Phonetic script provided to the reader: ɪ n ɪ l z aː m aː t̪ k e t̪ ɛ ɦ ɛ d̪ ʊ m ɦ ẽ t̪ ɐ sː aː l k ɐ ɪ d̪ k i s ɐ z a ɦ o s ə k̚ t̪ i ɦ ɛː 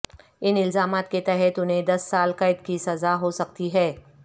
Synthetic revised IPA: ɪ n ɪ l z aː m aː t̪ k e t̪ ɛ ɦ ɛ t̪ ʊ n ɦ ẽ d̪ ɐ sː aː l k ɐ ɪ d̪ k i s ɐ z a ɦ o s ɐ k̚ t̪ i ɦ ɛː